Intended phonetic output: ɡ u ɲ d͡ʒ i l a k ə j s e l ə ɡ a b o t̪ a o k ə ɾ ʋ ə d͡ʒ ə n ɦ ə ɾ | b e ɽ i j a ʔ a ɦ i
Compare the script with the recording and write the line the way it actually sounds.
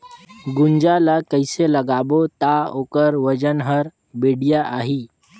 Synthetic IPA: ɡ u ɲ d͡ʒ a l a k ə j s e l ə ɡ a b o t̪ a o k ə ɾ ʋ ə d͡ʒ ə n ɦ ə ɾ | b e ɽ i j a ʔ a ɦ i